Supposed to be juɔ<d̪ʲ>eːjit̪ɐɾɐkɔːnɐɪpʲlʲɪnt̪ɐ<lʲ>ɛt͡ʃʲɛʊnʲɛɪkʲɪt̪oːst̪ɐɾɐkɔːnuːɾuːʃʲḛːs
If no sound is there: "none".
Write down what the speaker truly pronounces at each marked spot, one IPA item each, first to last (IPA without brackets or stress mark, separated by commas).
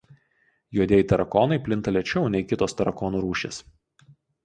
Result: d̪ʲ, lʲ